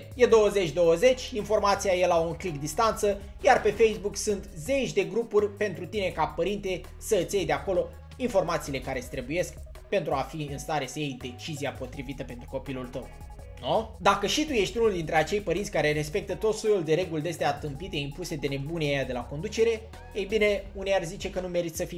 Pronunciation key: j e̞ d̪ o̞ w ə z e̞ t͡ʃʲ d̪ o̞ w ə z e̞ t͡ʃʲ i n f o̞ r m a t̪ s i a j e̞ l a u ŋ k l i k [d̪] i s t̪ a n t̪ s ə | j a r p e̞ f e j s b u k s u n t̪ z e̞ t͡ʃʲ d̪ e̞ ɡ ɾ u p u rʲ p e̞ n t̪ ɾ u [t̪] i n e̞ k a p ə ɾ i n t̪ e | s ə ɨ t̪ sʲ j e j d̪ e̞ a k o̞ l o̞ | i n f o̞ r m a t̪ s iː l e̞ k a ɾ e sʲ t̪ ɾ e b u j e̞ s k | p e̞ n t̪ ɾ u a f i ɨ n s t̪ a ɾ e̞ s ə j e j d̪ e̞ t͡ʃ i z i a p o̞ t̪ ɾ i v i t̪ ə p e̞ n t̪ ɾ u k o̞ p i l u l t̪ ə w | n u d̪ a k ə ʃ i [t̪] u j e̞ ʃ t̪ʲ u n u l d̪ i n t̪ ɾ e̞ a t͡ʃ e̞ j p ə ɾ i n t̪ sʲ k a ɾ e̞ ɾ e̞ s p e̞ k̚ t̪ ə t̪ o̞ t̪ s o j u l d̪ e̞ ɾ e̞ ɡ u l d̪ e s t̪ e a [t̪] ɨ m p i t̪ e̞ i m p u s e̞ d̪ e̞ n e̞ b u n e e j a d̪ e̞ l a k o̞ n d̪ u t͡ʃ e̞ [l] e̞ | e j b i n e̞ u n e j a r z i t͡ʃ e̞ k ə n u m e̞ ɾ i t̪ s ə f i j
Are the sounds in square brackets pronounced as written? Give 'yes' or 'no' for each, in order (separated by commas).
yes, yes, yes, yes, no